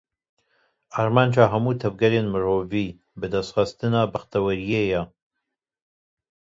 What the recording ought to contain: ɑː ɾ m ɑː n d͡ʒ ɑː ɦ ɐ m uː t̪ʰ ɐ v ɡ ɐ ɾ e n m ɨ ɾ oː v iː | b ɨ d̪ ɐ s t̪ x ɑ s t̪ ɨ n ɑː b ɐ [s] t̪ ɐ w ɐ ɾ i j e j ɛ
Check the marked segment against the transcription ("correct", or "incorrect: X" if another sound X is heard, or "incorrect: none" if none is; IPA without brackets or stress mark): incorrect: x